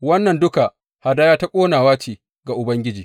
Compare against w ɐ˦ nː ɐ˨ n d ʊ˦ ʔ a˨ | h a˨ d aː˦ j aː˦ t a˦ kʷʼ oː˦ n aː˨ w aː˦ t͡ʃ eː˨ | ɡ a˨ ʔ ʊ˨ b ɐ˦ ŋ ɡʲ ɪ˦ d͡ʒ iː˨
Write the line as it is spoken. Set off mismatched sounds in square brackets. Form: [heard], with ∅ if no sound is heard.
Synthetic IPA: w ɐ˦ nː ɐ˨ n d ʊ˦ [k] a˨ | h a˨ d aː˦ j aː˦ t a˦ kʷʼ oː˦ n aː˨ w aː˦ t͡ʃ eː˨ | ɡ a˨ ʔ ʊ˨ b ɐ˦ ŋ ɡʲ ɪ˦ d͡ʒ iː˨